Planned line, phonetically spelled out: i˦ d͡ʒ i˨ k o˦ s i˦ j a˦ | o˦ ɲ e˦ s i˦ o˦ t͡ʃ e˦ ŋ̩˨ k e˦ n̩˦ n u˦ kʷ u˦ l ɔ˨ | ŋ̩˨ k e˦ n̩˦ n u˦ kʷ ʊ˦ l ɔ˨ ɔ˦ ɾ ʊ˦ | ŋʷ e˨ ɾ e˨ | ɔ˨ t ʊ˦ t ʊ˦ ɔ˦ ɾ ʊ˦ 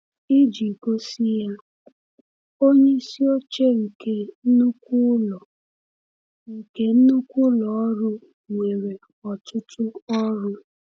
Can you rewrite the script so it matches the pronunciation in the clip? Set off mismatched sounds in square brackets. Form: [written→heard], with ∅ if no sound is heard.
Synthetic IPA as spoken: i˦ d͡ʒ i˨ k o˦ s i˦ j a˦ | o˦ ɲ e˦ s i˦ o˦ t͡ʃ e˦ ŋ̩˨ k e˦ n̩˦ n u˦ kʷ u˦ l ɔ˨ | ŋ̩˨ k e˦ n̩˦ n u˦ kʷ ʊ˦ l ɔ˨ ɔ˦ ɾ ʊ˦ | ŋʷ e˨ ɾ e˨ | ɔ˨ t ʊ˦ t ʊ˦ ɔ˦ ɾ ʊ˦